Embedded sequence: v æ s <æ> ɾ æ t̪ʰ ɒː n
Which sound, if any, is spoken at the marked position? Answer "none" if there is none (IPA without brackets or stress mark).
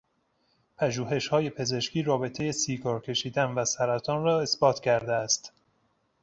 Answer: æ